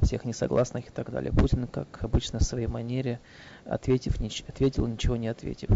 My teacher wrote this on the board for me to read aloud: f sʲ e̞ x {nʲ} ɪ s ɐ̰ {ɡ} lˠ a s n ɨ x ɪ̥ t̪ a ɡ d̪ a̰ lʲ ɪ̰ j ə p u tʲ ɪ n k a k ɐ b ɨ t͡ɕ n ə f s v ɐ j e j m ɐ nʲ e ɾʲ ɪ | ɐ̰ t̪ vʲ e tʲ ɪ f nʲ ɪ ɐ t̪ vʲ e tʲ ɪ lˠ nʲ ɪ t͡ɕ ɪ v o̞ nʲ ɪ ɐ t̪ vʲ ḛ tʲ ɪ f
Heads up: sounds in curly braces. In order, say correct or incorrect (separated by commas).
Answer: correct, correct